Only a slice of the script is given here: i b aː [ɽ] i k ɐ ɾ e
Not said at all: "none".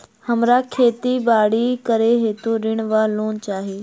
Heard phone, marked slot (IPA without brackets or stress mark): ɽ